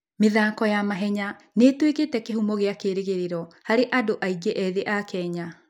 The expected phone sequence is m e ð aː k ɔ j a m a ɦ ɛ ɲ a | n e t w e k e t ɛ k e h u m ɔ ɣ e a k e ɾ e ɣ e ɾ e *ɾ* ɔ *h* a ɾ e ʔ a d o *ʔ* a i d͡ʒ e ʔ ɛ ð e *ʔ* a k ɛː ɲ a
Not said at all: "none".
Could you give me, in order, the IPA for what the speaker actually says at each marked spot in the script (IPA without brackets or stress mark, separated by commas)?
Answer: ɾ, h, ʔ, ʔ